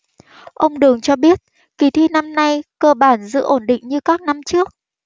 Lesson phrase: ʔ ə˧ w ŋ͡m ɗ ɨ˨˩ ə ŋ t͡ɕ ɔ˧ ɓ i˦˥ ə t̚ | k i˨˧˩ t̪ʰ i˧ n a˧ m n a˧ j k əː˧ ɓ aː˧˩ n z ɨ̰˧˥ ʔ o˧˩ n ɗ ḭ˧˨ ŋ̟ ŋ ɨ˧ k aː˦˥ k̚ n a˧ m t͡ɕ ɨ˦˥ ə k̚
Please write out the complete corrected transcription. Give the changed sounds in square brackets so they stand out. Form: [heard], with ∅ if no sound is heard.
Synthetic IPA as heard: ʔ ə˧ w ŋ͡m ɗ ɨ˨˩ ə ŋ t͡ɕ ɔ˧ ɓ i˦˥ ə t̚ | k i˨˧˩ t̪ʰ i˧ n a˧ m n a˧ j k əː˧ ɓ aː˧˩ n z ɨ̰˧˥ ʔ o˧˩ n ɗ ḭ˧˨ ŋ̟ [ɲ] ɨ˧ k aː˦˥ k̚ n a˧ m t͡ɕ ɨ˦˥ ə k̚